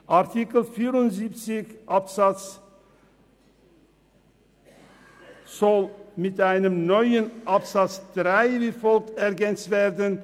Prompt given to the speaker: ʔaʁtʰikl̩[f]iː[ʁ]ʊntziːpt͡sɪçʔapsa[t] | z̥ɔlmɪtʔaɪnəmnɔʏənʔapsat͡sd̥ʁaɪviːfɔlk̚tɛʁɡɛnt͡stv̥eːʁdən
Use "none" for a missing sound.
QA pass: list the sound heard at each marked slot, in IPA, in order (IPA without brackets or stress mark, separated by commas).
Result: f, ʁ, t͡s